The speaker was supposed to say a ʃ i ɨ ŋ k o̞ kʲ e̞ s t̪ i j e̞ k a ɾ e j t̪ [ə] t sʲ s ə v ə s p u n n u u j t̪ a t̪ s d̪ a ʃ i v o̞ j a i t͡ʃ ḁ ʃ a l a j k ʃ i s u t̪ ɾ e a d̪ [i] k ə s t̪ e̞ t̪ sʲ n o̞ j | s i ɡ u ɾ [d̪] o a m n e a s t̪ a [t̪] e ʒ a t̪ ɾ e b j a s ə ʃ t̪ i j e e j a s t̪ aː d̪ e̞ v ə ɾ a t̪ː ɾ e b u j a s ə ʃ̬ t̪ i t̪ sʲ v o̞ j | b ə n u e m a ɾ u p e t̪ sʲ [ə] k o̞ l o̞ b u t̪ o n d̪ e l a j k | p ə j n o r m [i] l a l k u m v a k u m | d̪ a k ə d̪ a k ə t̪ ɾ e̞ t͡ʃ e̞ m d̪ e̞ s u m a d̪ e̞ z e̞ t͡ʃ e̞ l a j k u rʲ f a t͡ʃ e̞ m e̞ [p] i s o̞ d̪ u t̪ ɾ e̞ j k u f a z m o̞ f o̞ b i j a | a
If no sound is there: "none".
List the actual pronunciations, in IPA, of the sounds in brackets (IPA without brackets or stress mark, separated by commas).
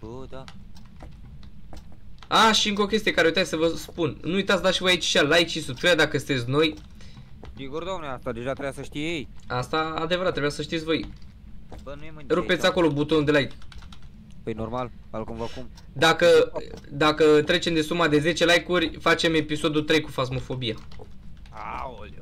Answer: a, a, d̪, d̪, a, a, p